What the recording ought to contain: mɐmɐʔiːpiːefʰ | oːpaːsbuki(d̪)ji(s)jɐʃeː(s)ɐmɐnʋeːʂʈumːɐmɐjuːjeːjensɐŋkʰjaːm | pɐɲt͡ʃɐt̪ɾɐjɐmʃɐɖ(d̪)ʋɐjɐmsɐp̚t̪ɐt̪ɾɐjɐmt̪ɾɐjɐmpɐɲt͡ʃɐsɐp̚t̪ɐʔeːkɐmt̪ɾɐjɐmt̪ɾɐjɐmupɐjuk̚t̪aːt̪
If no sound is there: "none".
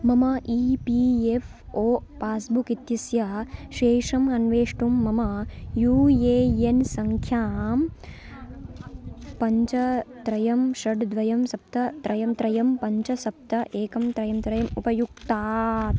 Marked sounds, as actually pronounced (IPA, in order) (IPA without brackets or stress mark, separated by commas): t̪, s, ʂ, d̪